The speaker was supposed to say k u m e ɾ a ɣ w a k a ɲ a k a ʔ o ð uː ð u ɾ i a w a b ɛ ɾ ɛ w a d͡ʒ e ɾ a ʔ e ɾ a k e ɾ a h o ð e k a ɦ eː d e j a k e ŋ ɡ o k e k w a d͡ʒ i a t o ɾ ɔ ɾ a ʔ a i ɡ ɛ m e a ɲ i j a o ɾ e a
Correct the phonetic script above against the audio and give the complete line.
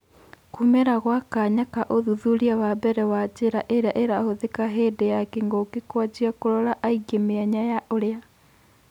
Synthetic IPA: k u m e ɾ a ɣ w a k a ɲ a k a ʔ o ð u ð u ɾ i a w a b ɛ ɾ ɛ w a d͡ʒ e ɾ a ʔ e ɾ a ʔ e ɾ a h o ð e k a ɦ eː d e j a k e ŋ ɡ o k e k w a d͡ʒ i a k o ɾ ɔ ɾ a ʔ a i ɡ e m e a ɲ a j a o ɾ e a